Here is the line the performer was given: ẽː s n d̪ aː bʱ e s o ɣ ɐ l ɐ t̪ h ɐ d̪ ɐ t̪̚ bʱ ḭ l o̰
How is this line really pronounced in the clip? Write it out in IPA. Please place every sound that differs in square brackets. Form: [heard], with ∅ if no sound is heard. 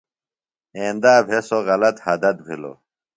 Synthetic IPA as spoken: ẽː [∅] n d̪ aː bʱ e s o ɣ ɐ l ɐ t̪ h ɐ d̪ ɐ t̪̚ bʱ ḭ l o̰